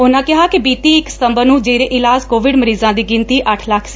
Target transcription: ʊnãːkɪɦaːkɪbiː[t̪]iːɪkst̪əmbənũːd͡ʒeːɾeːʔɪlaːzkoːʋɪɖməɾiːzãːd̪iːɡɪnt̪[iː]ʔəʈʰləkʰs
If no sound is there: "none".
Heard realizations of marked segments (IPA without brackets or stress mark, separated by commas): t̪, iː